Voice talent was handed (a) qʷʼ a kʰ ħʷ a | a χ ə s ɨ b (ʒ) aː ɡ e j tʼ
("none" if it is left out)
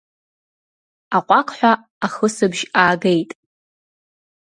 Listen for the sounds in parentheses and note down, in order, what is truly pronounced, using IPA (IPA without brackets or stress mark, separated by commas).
a, ʒ